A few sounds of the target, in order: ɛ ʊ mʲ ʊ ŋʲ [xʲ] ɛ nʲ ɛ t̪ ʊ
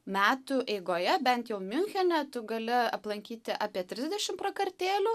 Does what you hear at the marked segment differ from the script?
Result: no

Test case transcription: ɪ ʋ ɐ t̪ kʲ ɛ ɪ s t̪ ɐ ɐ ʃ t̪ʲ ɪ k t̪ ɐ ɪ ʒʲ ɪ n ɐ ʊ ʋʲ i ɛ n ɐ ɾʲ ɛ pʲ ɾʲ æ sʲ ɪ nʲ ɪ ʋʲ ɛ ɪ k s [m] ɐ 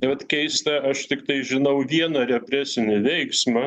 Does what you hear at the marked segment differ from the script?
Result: no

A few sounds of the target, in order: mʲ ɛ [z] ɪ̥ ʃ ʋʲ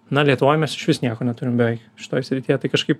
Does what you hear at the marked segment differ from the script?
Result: yes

